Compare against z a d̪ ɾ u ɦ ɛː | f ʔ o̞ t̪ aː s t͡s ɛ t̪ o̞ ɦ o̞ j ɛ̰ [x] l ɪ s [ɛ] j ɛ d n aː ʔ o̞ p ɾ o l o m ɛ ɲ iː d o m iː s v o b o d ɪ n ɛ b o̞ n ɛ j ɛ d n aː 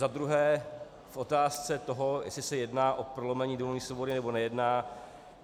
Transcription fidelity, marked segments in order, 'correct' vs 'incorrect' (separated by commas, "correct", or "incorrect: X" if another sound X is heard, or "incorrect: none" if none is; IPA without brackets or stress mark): incorrect: s, correct